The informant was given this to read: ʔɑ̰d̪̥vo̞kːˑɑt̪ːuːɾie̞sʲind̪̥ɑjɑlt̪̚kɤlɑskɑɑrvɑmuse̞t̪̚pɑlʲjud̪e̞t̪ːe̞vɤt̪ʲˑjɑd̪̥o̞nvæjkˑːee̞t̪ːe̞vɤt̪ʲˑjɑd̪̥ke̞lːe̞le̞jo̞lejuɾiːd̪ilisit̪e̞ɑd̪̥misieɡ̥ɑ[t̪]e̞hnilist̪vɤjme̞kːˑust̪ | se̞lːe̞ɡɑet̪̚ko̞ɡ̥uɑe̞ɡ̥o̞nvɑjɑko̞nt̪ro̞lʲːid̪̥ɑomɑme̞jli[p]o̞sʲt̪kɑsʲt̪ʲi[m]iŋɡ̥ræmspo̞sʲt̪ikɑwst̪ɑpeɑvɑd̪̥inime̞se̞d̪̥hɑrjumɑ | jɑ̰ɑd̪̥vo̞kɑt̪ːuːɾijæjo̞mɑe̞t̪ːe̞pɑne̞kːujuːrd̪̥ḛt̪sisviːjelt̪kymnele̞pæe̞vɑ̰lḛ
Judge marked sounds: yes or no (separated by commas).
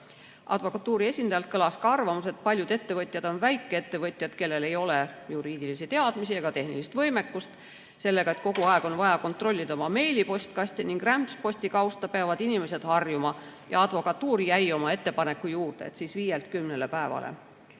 yes, yes, no